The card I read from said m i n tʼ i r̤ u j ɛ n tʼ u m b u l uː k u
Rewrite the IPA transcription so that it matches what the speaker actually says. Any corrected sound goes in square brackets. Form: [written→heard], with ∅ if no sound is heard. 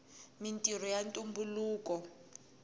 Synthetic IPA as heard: m i n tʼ i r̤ [u→ɔ] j [ɛ→a] n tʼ u m b u l uː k [u→ɔ]